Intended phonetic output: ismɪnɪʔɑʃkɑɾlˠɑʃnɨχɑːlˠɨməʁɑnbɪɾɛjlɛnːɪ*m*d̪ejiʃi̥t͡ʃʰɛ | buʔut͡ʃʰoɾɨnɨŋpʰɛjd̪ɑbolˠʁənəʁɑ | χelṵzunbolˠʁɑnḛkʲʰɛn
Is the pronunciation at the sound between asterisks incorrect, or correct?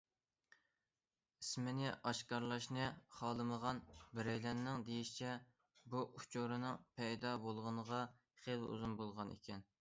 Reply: incorrect: ŋ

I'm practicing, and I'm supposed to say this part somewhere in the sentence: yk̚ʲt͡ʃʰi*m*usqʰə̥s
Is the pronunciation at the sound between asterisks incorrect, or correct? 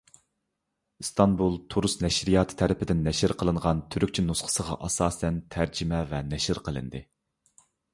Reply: incorrect: n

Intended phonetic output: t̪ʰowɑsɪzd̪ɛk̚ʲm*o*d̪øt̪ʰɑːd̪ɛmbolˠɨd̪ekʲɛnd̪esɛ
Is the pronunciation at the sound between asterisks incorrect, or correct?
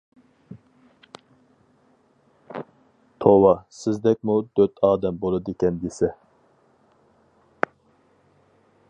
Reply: incorrect: u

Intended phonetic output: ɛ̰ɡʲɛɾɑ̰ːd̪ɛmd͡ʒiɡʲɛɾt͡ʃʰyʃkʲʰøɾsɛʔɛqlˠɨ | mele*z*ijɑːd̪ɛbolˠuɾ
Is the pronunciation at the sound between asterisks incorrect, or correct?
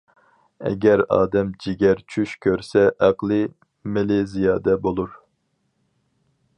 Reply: correct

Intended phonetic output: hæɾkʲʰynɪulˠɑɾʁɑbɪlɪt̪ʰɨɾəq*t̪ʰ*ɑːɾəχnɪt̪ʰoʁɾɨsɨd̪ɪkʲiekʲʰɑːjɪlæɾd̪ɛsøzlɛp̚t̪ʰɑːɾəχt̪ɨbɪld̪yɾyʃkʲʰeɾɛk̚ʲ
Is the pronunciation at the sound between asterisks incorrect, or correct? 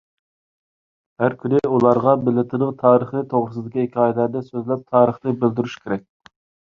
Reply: correct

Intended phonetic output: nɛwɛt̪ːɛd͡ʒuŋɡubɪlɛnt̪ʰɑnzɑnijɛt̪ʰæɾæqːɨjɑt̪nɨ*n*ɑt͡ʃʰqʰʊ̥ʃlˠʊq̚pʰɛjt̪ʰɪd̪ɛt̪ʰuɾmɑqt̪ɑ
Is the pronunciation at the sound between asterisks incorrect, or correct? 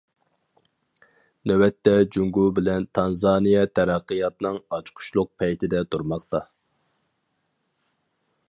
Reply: incorrect: ŋ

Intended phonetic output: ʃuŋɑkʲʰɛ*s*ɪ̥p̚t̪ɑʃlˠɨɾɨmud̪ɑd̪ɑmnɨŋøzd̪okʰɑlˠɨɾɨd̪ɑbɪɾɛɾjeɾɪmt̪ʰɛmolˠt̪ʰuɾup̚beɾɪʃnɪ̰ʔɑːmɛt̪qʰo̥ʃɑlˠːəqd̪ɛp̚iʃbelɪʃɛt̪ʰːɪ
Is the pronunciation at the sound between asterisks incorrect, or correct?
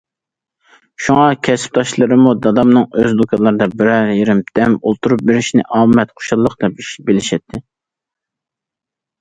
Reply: correct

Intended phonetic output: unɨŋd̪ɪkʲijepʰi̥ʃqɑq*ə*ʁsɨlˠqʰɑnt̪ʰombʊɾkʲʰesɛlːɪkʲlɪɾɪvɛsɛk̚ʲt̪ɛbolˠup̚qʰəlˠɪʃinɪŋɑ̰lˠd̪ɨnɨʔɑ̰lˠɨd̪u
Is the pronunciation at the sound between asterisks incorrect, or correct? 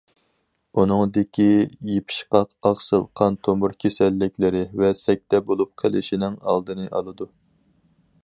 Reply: incorrect: ɑ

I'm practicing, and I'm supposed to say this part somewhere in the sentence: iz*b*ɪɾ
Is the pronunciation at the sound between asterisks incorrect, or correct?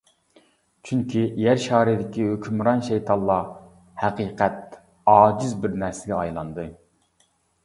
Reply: correct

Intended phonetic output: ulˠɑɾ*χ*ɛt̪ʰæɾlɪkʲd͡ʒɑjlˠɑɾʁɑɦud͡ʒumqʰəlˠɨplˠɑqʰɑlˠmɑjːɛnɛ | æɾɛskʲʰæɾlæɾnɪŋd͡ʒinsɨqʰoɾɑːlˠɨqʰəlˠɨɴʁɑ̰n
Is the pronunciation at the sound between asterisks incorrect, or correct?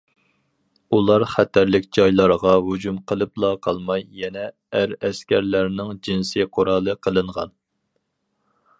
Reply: correct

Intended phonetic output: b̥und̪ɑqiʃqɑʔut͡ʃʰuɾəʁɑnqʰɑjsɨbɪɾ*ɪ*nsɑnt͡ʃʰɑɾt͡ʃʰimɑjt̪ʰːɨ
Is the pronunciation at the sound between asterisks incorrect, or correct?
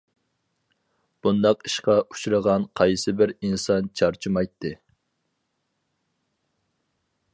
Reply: incorrect: i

